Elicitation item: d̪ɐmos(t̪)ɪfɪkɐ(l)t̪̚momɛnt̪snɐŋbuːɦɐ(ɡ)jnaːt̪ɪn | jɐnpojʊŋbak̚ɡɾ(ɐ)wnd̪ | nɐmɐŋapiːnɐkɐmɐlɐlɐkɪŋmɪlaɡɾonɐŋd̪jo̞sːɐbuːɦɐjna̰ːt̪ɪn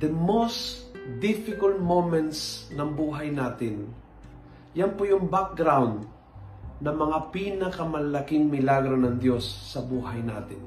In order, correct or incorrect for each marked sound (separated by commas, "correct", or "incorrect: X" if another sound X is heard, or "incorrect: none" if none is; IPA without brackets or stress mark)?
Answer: incorrect: d̪, correct, incorrect: none, incorrect: a